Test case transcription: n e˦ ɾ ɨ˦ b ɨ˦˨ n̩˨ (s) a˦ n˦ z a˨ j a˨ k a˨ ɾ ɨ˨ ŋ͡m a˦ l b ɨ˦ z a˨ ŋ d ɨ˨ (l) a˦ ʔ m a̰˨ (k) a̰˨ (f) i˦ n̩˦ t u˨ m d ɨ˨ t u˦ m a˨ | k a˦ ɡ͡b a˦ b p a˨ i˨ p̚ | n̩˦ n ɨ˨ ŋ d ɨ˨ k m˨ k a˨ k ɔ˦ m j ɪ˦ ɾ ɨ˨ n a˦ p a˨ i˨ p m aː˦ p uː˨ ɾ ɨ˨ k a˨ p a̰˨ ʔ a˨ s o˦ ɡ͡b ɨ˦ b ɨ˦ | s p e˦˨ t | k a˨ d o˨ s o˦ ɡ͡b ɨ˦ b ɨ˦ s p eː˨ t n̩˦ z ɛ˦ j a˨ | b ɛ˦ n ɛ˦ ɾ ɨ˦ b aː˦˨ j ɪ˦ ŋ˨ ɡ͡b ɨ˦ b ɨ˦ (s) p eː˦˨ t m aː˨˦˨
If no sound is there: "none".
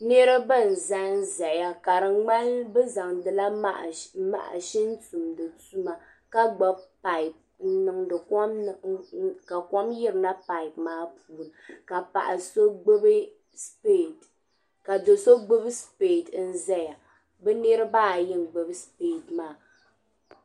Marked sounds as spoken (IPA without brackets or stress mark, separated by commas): z, l, ʔ, ʃ, s